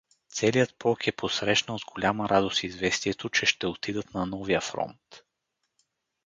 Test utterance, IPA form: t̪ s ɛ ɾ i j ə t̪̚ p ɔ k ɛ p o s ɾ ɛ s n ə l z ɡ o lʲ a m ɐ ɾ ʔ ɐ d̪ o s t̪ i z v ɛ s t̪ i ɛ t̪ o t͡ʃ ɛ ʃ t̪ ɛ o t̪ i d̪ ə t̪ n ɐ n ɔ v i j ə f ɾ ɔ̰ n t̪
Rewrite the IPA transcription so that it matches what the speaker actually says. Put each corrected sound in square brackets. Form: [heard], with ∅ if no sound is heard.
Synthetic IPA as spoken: t̪ s ɛ [l] i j ə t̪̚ p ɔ k ɛ p o s ɾ ɛ [ʃ] n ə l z ɡ o lʲ a m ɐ ɾ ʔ [a] d̪ o s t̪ i z v ɛ s t̪ i ɛ t̪ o t͡ʃ ɛ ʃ t̪ ɛ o t̪ i d̪ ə t̪ n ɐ n ɔ v i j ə f ɾ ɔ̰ n t̪